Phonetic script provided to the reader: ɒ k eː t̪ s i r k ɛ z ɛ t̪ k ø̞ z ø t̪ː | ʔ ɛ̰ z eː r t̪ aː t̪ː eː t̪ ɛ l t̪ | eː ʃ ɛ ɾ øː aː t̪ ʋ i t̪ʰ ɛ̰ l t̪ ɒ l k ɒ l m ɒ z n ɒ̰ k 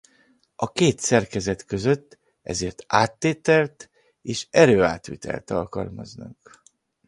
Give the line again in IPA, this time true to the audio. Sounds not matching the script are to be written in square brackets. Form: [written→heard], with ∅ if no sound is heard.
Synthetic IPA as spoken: ɒ k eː t̪ s [i→ɛ] r k ɛ z ɛ t̪ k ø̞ z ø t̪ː | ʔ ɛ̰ z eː r t̪ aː t̪ː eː t̪ ɛ l t̪ | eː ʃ ɛ ɾ øː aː t̪ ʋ i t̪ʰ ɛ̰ l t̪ ɒ l k ɒ l m ɒ z n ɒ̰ k